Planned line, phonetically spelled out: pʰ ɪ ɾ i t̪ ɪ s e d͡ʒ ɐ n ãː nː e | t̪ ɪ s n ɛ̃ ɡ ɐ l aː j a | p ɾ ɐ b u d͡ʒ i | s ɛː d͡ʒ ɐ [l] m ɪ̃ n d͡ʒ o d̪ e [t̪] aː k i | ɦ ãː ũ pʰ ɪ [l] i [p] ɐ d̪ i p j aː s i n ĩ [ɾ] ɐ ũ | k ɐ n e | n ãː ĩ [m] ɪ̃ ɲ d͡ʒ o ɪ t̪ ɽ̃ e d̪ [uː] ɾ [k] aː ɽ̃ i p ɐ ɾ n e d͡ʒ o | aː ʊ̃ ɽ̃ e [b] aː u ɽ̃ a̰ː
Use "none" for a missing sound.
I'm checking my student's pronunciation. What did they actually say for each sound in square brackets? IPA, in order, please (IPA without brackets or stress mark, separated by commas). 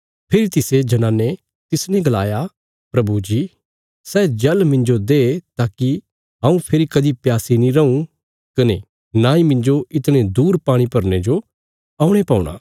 l, t̪, ɾ, k, ɾ, m, uː, p, p